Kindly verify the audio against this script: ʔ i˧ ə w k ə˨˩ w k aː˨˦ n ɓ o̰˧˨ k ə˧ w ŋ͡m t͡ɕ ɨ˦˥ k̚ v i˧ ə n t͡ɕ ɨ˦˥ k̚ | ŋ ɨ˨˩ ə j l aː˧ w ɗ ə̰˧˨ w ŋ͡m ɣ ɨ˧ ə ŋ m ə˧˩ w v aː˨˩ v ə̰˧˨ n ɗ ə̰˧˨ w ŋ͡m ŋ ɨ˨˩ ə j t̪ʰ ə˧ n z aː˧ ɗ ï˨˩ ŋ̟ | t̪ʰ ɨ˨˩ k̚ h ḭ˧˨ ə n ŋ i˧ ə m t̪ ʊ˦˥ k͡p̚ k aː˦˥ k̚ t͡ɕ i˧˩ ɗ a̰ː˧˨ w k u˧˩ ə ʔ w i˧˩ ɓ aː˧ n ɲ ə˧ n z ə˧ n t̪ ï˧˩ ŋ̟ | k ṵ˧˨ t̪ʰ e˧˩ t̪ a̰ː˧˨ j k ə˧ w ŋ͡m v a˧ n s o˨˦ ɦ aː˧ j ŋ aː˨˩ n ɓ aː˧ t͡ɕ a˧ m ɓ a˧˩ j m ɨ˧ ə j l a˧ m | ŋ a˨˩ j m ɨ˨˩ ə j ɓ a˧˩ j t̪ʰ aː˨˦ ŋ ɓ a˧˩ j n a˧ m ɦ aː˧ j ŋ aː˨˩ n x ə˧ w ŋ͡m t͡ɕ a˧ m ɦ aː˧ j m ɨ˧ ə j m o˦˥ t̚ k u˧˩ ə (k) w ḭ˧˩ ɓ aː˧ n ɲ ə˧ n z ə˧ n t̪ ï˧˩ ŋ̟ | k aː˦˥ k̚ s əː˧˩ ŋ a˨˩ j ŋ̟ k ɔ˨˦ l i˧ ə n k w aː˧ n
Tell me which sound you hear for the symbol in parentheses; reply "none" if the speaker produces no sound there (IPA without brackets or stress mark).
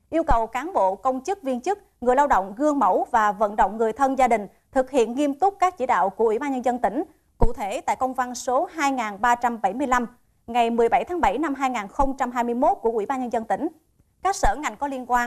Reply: ʔ